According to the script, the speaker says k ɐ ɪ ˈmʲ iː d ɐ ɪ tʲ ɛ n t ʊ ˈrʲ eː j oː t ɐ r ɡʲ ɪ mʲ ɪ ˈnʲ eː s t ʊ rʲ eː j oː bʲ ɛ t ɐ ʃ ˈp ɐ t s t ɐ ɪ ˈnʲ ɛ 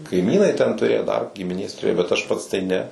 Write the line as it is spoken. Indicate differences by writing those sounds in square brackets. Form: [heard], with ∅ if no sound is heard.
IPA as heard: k ɐ ɪ ˈmʲ iː [n] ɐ ɪ tʲ ɛ n t ʊ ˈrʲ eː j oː [d] ɐ r ɡʲ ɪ mʲ ɪ ˈnʲ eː s t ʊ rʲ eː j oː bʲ ɛ t ɐ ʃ ˈp ɐ t s t ɐ ɪ ˈnʲ ɛ